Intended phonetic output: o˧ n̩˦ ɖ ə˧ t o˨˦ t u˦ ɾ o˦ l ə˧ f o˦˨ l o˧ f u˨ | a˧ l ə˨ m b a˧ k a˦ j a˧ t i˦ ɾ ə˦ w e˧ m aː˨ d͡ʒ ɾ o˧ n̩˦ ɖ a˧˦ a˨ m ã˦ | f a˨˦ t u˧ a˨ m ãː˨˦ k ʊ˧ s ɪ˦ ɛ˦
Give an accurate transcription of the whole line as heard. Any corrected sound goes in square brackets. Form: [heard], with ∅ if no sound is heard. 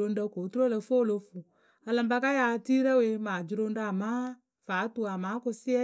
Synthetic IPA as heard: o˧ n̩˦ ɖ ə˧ [k] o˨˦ t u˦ ɾ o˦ l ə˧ f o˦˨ l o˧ f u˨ | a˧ l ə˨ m b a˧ k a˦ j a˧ t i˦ ɾ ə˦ w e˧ m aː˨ d͡ʒ ɾ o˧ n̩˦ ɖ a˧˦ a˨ m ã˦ | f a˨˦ t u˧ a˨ m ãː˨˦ k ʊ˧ s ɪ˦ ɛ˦